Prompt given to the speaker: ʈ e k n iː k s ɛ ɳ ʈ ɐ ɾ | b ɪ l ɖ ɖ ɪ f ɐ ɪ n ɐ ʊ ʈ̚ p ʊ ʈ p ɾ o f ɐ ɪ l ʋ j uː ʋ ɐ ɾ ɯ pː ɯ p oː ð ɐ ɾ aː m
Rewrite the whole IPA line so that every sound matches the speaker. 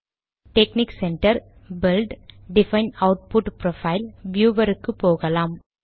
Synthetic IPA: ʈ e k n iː k s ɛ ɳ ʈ ɐ ɾ | b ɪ l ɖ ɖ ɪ f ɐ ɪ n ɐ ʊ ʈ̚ p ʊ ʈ p ɾ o f ɐ ɪ l ʋ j uː ʋ ɐ ɾ ɯ kː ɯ p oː ɣ ɐ l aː m

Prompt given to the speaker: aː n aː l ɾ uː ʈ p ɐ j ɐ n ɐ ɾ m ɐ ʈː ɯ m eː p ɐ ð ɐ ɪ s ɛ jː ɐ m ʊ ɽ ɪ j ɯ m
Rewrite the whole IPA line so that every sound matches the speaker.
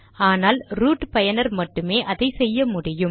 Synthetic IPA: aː n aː l ɾ uː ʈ p ɐ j ɐ n ɐ ɾ m ɐ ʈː ɯ m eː ʔ ɐ ð ɐ ɪ s ɛ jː ɐ m ʊ ɽ ɪ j ɯ m

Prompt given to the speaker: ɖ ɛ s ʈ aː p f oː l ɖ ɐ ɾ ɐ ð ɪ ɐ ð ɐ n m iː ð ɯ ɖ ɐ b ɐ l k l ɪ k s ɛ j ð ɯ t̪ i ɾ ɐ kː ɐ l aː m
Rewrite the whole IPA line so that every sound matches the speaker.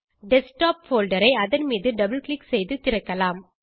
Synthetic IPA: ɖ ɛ s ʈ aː p f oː l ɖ ɐ ɾ ɐ ɪ ɐ ð ɐ n m iː ð ɯ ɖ ɐ b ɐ l k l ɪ k s ɛ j ð ɯ t̪ ɪ ɾ ɐ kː ɐ l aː m

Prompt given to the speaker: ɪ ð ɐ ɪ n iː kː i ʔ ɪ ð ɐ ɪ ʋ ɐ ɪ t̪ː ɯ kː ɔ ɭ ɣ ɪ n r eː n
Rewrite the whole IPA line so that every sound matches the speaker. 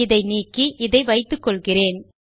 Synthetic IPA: ɪ ð ɐ ɪ n iː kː i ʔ ɪ ð ɐ ɪ ʋ ɐ ɪ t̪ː ɯ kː ɔ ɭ ɣ ɪ r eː n

